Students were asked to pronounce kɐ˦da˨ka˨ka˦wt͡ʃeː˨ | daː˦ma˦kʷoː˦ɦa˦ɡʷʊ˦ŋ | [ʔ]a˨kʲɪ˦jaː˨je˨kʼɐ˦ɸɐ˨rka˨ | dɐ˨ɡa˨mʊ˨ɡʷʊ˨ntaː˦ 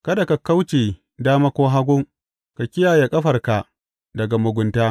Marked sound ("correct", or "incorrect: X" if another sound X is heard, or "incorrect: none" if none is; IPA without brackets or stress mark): incorrect: k